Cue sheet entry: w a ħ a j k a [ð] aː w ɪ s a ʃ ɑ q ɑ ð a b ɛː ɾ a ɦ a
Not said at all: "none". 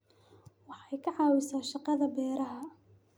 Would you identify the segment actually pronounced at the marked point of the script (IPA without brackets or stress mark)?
ʕ